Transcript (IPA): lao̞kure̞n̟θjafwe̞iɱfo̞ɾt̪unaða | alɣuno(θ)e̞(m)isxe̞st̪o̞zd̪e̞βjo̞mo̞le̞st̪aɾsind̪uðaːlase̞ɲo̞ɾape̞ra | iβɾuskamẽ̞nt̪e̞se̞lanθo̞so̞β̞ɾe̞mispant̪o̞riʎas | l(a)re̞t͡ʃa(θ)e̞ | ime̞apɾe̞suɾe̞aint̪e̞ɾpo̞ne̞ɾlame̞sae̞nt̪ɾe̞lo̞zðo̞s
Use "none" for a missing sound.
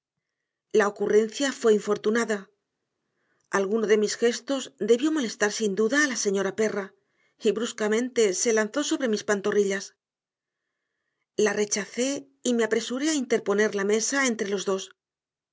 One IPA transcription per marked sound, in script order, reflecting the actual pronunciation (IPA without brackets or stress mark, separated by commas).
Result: ð, m, a, θ